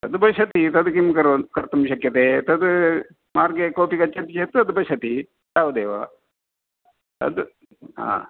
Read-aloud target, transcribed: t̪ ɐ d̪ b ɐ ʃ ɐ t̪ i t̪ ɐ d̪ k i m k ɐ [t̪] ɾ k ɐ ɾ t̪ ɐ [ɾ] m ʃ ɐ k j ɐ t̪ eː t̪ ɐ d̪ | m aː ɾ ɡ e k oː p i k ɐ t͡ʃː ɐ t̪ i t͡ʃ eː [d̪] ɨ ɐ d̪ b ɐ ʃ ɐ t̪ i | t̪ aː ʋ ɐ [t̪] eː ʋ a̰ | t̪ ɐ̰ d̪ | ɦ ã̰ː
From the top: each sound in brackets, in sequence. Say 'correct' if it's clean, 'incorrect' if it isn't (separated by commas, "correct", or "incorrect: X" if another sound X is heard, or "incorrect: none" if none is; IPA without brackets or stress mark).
incorrect: none, incorrect: none, incorrect: t̪, incorrect: d̪